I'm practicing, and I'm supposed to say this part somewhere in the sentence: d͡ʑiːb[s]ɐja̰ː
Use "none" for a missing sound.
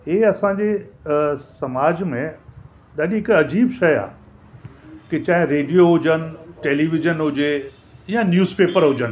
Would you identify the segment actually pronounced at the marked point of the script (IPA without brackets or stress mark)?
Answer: ʃ